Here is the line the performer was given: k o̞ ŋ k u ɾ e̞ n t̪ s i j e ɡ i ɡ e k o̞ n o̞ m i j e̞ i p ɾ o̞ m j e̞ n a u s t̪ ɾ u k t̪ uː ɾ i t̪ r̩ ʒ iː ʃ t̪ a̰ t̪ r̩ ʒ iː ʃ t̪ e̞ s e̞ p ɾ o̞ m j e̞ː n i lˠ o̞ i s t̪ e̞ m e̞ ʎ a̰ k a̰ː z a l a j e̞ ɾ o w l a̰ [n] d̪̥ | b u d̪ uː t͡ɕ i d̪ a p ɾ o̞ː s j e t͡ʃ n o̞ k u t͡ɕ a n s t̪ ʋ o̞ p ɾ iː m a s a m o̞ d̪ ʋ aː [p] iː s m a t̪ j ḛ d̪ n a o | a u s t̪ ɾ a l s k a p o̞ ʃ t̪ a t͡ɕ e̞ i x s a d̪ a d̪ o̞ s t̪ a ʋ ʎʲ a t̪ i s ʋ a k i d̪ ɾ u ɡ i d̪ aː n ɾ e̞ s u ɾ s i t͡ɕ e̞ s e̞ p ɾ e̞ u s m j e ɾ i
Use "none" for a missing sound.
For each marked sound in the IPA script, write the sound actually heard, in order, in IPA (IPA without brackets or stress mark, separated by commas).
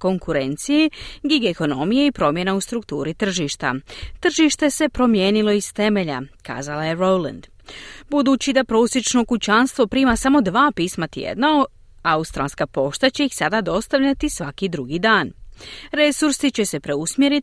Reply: n, p